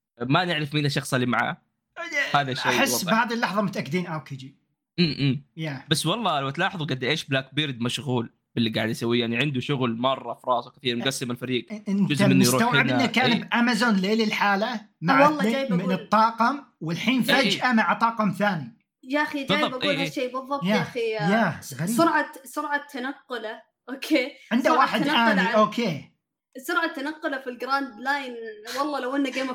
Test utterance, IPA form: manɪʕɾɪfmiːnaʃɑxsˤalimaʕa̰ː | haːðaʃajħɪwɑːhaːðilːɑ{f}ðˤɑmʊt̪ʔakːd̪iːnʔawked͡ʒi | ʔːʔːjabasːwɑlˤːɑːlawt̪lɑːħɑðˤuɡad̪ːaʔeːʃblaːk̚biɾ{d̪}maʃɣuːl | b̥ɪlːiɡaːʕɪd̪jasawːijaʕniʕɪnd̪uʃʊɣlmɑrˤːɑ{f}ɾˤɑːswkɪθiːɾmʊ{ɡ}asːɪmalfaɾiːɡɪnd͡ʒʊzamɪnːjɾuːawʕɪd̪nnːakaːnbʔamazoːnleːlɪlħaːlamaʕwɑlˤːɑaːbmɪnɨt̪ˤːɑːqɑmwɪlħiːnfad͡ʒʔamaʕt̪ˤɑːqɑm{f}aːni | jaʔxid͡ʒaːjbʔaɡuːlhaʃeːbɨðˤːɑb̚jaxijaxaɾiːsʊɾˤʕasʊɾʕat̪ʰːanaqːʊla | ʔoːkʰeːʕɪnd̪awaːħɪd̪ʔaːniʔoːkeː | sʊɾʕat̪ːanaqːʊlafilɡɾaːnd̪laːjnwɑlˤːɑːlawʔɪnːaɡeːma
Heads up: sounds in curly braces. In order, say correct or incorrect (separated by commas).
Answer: incorrect, correct, correct, correct, incorrect